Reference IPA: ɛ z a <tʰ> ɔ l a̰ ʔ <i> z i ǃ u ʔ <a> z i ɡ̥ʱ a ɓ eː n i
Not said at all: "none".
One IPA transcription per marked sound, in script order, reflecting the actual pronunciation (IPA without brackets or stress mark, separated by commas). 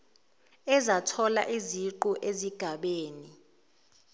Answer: tʰ, i, e